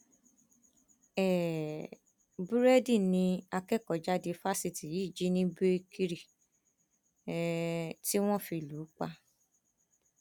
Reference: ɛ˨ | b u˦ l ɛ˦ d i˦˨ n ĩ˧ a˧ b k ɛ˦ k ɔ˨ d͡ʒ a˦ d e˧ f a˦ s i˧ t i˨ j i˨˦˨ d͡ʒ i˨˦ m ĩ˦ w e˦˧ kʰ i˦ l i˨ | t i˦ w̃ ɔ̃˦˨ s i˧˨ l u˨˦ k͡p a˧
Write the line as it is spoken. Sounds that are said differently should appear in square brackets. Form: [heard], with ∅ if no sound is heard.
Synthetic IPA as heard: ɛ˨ | b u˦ [ɾ] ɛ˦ d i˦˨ n ĩ˧ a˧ [∅] k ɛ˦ k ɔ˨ d͡ʒ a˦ d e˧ f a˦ s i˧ t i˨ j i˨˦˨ d͡ʒ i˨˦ [n] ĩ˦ [b] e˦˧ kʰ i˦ [ɾ] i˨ | t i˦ w̃ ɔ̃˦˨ [f] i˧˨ l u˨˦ k͡p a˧